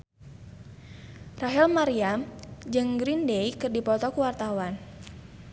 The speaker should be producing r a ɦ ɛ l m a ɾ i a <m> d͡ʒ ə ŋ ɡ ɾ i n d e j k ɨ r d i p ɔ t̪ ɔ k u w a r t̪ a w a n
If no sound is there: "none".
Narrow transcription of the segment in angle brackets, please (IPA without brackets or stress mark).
m